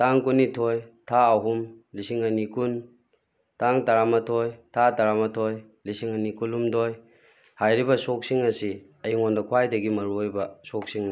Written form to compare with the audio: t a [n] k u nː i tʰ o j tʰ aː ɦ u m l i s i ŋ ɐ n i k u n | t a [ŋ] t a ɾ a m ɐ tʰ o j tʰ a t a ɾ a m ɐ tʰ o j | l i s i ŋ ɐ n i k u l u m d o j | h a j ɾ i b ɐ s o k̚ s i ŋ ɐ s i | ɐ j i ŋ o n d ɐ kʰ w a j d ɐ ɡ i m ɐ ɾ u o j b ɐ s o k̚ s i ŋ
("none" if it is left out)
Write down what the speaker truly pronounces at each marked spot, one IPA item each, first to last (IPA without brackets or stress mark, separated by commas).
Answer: ŋ, ŋ